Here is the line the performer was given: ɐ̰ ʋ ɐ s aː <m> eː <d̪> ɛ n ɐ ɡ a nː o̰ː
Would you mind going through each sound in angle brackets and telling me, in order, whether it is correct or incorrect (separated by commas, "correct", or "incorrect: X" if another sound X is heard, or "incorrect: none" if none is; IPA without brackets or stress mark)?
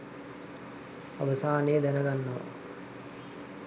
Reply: incorrect: n, correct